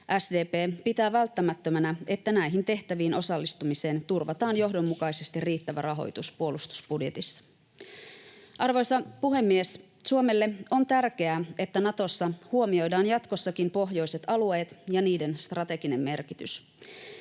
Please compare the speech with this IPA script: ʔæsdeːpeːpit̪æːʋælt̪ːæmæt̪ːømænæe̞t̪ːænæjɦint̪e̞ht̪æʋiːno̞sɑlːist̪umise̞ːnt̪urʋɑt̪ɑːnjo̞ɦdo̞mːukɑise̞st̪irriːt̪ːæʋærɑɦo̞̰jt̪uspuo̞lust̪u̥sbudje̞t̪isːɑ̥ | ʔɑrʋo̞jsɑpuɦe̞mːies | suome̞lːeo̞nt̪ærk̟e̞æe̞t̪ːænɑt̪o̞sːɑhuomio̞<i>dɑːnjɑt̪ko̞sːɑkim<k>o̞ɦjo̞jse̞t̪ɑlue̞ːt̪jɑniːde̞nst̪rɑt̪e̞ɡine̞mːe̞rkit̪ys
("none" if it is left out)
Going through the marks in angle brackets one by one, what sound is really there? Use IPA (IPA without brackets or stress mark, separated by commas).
j, p